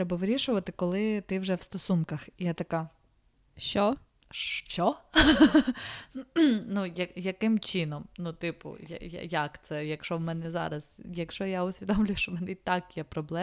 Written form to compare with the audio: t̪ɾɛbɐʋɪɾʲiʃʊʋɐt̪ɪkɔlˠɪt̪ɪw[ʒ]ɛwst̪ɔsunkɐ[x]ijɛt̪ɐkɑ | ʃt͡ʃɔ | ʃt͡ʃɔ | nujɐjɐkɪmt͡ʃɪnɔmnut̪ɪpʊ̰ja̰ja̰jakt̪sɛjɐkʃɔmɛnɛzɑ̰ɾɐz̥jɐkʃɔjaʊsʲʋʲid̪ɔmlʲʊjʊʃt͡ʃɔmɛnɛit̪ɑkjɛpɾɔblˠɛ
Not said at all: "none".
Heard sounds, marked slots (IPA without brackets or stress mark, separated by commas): ʒ, x